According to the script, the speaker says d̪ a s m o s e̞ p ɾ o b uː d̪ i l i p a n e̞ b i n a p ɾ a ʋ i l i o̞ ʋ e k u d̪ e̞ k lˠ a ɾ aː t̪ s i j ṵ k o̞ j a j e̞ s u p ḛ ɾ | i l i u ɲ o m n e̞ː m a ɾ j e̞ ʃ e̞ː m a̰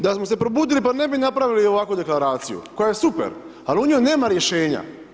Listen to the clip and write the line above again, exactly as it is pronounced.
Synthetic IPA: d̪ a s m o s e̞ p ɾ o b uː d̪ i l i p a n e̞ b i n a p ɾ a ʋ i l i o̞ ʋ a k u d̪ e̞ k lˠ a ɾ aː t̪ s i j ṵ k o̞ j a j e̞ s u p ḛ ɾ | a l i u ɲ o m n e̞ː m a ɾ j e̞ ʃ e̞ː ɲ a̰